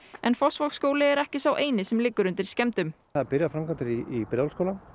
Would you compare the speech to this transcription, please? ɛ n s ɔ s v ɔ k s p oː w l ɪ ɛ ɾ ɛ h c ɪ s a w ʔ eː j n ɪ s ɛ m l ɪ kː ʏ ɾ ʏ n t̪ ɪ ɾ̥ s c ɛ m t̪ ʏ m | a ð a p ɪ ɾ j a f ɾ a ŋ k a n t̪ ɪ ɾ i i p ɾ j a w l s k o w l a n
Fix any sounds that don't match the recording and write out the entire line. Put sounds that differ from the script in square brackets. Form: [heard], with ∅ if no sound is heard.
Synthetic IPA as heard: ɛ n [f] ɔ s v ɔ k s [k] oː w l ɪ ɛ ɾ ɛ h c ɪ s a w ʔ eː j n ɪ s ɛ m l ɪ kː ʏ ɾ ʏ n t̪ ɪ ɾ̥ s c ɛ m t̪ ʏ m | a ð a p ɪ ɾ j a f ɾ a [m] k a n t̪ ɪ ɾ i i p ɾ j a w l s k o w l a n